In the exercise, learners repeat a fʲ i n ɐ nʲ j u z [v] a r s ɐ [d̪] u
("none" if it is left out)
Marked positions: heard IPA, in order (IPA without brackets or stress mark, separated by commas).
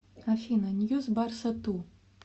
b, t̪